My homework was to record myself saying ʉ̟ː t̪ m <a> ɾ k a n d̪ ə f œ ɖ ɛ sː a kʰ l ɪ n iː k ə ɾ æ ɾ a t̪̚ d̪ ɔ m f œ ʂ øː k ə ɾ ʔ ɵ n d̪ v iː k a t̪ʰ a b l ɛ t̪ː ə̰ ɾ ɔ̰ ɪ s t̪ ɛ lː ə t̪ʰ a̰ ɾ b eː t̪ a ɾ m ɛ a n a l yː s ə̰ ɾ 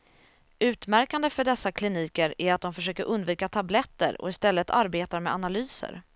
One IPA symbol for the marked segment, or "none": æ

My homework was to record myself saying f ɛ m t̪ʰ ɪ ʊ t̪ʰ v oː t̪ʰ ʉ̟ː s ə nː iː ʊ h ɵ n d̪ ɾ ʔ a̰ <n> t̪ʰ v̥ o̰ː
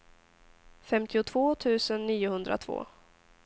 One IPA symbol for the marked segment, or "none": none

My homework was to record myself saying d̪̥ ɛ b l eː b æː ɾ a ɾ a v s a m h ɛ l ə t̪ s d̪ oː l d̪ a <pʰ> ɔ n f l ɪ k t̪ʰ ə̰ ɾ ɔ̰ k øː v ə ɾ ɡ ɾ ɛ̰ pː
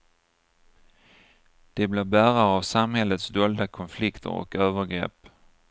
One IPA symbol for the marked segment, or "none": kʰ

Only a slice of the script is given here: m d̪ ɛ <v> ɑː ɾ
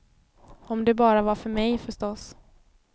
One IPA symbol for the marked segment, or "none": b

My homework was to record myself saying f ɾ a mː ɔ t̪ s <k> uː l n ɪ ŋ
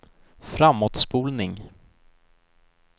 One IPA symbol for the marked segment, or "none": p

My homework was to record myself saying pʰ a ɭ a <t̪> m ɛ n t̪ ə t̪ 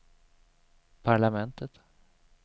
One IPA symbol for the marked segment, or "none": none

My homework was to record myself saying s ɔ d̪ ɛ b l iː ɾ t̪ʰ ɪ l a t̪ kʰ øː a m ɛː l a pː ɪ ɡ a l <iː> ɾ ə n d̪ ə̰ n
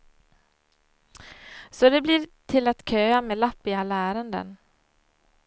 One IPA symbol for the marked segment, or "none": æː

